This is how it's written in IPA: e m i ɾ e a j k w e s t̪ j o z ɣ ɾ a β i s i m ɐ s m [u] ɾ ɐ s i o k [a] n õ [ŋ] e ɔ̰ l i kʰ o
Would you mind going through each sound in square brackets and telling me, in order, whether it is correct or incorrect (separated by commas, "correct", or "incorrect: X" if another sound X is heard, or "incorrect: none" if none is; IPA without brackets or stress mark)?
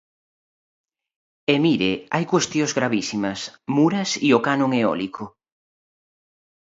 correct, correct, correct